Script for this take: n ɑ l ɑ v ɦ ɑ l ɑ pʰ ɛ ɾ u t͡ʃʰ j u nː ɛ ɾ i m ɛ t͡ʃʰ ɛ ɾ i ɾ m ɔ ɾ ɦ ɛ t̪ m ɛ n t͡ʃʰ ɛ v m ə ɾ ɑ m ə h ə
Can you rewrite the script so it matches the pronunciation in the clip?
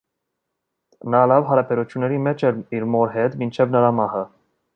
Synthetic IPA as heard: n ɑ l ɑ v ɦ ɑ ɾ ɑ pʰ ɛ ɾ u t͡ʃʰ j u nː ɛ ɾ i m ɛ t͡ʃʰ ɛ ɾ i ɾ m ɔ ɾ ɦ ɛ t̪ m i n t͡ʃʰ ɛ v n ə ɾ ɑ m ɑ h ə